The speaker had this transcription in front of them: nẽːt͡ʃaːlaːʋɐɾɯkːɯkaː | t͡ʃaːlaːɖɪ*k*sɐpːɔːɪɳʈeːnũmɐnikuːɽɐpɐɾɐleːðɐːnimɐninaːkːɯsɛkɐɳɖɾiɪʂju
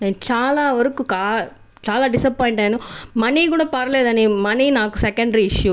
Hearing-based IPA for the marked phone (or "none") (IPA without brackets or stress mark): none